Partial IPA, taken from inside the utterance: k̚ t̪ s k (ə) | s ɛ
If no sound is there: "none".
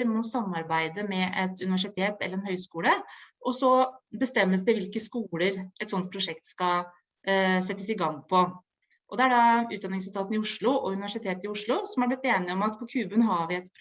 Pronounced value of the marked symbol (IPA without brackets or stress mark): ɑ